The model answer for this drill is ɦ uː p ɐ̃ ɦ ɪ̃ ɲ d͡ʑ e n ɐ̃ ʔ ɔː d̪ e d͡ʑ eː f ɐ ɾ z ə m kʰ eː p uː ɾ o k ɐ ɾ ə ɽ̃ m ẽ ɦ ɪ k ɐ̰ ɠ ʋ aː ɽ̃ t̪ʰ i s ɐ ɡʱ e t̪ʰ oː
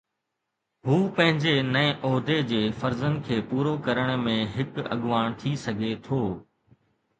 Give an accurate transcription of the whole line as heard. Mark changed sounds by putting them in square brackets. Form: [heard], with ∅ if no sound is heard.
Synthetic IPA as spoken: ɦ uː p ɐ̃ ɦ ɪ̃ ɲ d͡ʑ e n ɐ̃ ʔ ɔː d̪ e d͡ʑ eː f ɐ ɾ z ə [n] kʰ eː p uː ɾ o k ɐ ɾ ə ɽ̃ m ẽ ɦ ɪ k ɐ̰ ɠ ʋ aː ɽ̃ t̪ʰ i s ɐ ɡʱ e t̪ʰ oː